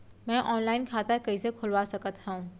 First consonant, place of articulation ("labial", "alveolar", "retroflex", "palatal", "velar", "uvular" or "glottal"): labial